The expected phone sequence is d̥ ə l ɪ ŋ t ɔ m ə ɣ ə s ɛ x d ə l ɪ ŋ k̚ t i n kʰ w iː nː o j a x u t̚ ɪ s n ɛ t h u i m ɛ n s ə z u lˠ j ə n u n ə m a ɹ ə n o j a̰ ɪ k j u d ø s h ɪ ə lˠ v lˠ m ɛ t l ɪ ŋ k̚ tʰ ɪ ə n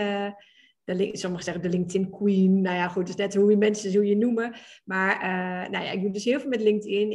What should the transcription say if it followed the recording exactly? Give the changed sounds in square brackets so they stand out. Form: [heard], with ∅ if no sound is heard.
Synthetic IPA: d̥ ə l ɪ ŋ [s] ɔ m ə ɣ ə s ɛ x d ə l ɪ ŋ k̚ t [ɪ] n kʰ w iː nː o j a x u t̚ ɪ s n ɛ t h u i m ɛ n s ə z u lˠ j ə n u [m] ə m a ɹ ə n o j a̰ ɪ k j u d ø s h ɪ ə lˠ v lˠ m ɛ t l ɪ ŋ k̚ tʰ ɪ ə n